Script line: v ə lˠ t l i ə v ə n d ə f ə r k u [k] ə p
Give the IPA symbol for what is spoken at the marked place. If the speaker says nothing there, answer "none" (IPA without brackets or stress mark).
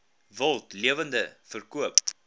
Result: none